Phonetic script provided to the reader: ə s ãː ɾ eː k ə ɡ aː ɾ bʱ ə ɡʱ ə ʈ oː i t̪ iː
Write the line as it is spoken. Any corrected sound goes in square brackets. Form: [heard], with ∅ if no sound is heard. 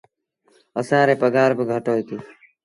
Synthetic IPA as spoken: ə s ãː ɾ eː [p] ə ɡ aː ɾ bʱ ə ɡʱ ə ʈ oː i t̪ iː